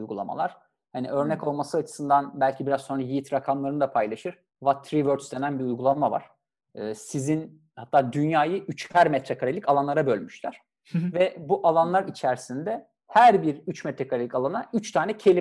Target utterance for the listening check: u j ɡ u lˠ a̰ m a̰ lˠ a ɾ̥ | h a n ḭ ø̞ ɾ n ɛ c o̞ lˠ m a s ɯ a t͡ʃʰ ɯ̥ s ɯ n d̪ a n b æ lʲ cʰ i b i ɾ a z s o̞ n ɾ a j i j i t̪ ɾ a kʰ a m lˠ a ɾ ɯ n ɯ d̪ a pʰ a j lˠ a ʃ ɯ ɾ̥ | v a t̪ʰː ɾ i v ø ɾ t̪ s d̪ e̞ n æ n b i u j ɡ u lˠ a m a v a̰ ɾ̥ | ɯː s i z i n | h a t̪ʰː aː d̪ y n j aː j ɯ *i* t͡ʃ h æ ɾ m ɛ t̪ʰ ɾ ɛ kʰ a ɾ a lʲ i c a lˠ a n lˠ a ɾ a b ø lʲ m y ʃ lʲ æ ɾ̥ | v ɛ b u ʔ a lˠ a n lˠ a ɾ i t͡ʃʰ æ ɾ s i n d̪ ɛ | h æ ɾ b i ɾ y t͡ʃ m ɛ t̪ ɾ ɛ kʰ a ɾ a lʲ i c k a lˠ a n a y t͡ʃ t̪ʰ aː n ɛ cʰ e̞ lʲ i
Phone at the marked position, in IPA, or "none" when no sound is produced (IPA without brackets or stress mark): y